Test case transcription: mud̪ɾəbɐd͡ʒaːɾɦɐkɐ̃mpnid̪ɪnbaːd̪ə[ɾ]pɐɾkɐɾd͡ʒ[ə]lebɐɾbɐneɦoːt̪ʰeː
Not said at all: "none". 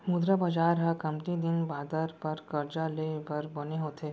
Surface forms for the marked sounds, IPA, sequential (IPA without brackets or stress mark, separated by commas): ɾ, a